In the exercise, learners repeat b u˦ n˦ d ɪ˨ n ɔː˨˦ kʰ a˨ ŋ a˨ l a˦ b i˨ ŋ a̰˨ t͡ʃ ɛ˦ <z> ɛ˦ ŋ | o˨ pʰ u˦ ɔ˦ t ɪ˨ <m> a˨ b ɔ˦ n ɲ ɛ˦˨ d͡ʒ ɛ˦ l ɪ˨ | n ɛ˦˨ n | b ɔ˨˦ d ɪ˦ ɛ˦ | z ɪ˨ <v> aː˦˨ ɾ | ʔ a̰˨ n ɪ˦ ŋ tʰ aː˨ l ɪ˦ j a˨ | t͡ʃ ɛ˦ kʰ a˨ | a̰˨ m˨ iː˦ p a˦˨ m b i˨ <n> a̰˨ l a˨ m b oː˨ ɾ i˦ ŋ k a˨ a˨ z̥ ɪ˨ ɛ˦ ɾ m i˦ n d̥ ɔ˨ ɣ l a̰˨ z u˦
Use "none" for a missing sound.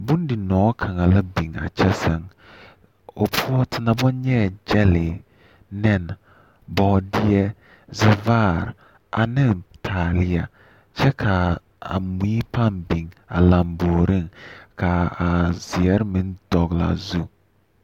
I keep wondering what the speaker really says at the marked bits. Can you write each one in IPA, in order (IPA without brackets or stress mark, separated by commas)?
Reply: s, n, v, ŋ